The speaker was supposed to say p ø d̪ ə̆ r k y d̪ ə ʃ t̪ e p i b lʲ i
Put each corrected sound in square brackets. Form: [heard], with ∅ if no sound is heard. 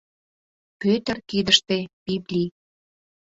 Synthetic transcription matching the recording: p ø [t̪] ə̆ r k [i] d̪ ə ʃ t̪ e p i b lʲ i